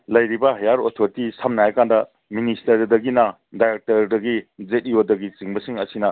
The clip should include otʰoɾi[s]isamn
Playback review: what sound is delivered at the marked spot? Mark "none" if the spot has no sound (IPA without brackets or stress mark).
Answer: t